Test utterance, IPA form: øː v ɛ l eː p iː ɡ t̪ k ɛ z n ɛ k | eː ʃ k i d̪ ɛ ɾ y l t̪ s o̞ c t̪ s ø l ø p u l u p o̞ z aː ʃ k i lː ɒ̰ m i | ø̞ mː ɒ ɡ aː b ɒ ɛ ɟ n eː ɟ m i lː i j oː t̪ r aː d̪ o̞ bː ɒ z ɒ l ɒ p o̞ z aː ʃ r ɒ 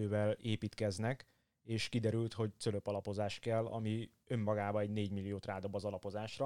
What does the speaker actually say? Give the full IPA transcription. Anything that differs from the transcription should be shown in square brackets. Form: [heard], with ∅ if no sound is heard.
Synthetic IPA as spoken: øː v ɛ l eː p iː [∅] t̪ k ɛ z n ɛ k | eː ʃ k i d̪ ɛ ɾ y l t̪ [h] o̞ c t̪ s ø l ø p [ɒ] l [ɒ] p o̞ z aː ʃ k [ɛ] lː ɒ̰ m i | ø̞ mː ɒ ɡ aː b ɒ ɛ ɟ n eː ɟ m i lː i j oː t̪ r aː d̪ o̞ bː ɒ z ɒ l ɒ p o̞ z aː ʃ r ɒ